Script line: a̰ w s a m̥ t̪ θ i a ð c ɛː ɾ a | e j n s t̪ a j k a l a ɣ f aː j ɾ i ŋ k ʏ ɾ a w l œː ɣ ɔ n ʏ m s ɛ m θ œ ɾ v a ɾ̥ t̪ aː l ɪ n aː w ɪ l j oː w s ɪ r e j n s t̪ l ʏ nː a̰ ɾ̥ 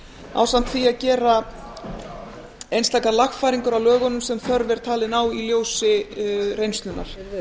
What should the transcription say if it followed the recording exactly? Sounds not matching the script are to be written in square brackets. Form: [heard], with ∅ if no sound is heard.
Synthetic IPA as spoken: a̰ w s a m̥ t̪ θ i a ð c ɛː ɾ a | e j n s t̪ a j k a l a [x] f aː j ɾ i ŋ k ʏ ɾ a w l œː ɣ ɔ n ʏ m s ɛ m θ œ ɾ v [ɛ] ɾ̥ [t̪ʰ] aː l ɪ n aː w [i] l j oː w s ɪ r e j n s t̪ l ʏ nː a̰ ɾ̥